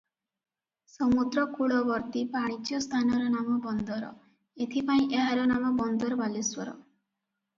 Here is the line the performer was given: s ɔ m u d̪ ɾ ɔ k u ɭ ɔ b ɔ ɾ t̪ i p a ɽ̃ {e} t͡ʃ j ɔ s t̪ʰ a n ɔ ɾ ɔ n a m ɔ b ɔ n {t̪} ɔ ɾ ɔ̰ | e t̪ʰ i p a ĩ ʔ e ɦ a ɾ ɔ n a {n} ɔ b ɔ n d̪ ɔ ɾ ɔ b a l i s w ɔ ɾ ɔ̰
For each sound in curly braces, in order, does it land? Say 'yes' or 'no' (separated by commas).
no, no, no